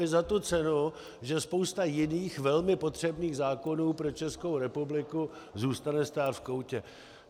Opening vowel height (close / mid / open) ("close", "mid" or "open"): close